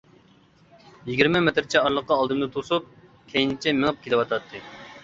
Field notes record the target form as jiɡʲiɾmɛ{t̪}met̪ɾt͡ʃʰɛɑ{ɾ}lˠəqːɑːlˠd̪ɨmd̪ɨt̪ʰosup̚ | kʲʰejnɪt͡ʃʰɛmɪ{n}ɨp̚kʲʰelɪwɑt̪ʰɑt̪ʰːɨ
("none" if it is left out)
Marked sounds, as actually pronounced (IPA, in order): none, ɾ, ŋ

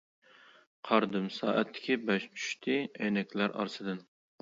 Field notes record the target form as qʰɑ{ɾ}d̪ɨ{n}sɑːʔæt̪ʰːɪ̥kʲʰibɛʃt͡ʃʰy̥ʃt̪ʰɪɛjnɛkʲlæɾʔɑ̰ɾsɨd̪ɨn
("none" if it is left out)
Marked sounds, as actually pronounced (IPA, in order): ɾ, m

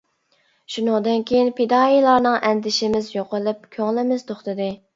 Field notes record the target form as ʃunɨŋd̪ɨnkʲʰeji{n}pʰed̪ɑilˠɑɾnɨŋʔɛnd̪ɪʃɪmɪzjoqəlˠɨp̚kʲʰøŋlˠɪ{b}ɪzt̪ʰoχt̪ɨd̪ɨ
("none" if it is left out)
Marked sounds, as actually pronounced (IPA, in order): n, m

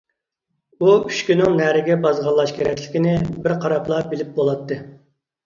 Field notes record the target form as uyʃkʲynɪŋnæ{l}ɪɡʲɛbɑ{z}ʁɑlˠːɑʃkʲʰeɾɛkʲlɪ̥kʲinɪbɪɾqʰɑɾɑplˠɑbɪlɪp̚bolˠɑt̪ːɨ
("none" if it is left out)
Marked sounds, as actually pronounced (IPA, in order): ɾ, z

